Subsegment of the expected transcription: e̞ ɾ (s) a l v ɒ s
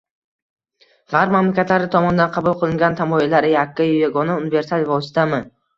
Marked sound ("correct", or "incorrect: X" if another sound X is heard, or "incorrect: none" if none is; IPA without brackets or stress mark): correct